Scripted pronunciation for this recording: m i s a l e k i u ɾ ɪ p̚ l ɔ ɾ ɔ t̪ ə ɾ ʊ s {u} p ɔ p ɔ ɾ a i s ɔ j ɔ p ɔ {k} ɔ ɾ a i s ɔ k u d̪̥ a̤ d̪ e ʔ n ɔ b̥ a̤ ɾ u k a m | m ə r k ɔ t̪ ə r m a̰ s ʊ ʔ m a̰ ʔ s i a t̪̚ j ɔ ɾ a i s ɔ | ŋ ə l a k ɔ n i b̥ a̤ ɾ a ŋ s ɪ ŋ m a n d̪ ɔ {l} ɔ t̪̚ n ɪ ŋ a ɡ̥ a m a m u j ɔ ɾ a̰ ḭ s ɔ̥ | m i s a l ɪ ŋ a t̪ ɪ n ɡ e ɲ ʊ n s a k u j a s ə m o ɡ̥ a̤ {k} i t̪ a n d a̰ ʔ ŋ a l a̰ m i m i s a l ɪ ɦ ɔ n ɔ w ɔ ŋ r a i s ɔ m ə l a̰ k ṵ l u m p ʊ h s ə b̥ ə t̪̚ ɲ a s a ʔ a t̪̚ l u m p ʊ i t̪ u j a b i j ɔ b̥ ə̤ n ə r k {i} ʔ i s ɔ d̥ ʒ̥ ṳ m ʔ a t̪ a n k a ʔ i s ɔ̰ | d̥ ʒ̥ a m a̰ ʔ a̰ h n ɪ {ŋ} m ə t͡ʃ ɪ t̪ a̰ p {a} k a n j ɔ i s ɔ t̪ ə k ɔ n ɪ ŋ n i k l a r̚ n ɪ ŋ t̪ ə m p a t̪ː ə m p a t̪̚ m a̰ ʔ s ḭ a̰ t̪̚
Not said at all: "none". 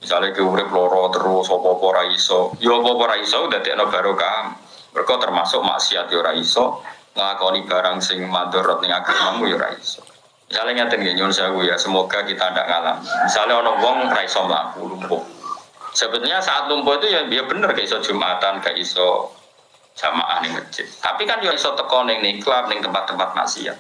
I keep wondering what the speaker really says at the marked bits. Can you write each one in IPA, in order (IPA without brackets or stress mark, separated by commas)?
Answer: ɔ, p, ɾ, k, a, ŋ, i